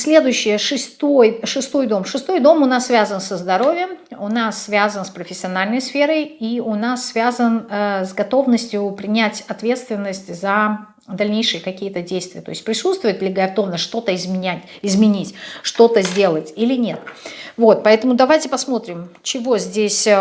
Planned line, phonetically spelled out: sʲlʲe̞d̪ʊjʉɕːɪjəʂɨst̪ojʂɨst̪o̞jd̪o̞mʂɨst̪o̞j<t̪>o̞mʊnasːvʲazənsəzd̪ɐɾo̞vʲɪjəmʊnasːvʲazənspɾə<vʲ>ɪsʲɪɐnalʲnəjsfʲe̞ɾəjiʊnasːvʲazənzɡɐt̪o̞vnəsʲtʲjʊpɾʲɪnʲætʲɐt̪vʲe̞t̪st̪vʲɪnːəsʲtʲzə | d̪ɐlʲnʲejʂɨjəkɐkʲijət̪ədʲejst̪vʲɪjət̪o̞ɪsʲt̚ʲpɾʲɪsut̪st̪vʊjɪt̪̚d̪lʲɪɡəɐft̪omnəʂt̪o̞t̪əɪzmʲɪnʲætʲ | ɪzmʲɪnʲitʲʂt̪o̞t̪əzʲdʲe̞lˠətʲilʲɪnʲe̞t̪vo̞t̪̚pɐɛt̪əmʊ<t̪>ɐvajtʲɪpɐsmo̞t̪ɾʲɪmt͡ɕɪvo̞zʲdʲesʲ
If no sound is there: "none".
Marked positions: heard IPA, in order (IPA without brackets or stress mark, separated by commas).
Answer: d̪, fʲ, d̪